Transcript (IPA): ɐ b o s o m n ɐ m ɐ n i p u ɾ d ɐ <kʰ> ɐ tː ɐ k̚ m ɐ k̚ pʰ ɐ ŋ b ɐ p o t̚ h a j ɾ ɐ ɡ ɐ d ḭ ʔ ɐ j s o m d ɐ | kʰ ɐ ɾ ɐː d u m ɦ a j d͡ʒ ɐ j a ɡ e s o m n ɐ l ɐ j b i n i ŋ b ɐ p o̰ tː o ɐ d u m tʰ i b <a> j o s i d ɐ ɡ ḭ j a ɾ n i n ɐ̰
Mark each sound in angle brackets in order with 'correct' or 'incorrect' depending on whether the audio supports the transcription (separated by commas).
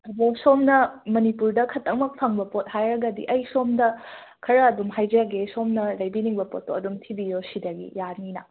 correct, incorrect